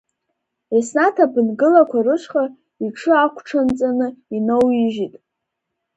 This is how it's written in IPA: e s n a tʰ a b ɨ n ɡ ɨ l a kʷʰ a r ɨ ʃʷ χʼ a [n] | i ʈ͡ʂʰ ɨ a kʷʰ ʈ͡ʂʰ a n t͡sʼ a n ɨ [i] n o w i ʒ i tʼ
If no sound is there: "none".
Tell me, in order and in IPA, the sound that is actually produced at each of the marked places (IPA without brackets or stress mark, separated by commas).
none, i